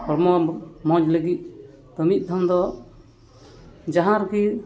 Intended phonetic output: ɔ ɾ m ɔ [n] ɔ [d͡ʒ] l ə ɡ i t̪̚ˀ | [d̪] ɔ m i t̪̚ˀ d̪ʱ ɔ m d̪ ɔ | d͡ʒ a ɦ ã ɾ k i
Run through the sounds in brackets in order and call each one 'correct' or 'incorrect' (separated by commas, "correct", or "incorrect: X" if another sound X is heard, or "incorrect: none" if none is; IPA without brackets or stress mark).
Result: incorrect: m, correct, incorrect: t̪